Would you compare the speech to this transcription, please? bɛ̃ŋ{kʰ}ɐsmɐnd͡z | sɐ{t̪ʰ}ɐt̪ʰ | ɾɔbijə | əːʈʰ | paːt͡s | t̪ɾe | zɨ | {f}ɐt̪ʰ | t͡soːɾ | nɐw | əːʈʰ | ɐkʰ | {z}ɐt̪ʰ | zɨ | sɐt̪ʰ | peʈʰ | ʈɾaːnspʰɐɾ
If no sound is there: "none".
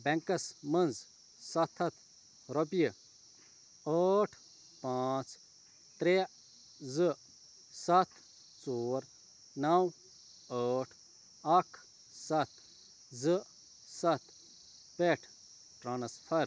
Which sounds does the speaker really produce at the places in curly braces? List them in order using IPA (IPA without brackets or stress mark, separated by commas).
k, t̪ʰ, s, s